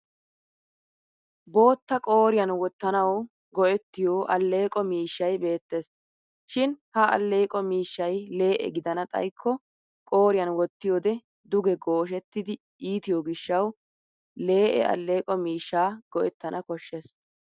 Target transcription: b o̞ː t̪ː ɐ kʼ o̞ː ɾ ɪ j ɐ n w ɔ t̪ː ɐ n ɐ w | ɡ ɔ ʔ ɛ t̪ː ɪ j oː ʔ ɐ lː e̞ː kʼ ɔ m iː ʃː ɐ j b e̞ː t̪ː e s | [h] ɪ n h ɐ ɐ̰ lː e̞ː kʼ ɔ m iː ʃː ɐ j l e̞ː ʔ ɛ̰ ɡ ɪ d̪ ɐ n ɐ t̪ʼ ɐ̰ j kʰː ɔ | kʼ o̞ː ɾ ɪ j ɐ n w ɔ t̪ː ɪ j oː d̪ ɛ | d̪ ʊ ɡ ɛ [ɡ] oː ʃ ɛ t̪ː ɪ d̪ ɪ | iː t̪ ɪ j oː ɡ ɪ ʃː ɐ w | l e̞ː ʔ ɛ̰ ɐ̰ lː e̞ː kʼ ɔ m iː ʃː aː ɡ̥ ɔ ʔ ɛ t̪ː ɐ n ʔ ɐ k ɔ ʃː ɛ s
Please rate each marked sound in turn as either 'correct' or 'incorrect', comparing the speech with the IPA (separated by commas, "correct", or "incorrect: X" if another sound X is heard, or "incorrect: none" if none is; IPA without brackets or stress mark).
incorrect: ʃ, correct